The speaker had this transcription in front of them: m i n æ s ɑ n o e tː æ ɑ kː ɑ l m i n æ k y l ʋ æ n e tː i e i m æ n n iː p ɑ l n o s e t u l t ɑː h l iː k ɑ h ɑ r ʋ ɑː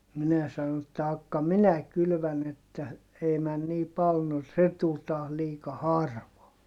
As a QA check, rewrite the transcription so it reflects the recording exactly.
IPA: m i n æ s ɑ n o e tː æ ɑ kː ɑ m i n æ k y l ʋ æ n e tː æ e i m æ n n iː p ɑ l n o s e t u l t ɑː h l iː k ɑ h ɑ r ʋ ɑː